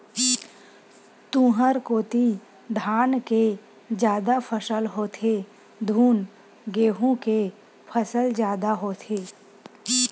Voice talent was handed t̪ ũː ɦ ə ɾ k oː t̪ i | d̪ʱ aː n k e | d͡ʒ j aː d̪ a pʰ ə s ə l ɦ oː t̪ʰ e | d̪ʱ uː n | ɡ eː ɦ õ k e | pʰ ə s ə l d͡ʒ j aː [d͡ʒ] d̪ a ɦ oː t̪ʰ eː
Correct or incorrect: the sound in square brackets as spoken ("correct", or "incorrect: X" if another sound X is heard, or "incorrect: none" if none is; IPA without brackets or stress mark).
incorrect: none